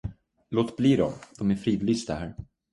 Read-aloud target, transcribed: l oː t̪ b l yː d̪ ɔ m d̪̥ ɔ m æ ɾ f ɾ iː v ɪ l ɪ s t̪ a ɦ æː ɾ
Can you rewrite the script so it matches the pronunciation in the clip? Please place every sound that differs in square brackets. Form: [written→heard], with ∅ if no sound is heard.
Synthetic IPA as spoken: l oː t̪ b l [yː→iː] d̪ ɔ m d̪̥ ɔ m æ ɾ f ɾ iː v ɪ l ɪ s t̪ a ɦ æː ɾ